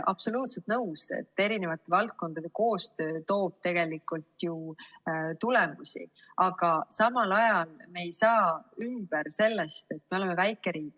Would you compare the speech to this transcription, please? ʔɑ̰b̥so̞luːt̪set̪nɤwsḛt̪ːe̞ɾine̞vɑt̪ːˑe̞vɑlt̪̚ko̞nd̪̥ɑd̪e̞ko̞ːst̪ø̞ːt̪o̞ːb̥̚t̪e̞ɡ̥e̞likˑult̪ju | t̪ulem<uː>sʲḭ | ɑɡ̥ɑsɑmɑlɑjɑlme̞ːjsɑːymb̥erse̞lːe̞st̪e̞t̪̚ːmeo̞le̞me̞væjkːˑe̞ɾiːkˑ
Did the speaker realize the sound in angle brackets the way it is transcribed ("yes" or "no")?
no